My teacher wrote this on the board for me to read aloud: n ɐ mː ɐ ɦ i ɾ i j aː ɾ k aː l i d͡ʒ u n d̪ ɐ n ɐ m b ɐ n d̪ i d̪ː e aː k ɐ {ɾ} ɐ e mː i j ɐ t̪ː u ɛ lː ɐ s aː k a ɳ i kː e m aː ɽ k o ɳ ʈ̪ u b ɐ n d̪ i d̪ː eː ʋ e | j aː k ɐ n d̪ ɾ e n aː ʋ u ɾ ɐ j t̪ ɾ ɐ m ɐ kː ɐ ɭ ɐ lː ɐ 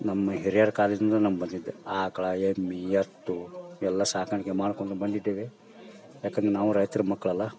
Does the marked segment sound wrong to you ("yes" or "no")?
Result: yes